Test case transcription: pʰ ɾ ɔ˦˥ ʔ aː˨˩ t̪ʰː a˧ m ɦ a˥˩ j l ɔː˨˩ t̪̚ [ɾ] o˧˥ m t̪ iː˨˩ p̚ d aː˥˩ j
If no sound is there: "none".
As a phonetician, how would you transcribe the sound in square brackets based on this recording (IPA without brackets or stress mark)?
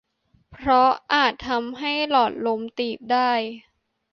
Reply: l